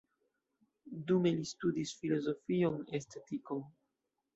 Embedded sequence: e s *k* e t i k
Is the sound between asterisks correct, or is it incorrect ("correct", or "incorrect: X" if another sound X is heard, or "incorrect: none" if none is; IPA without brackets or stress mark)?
incorrect: t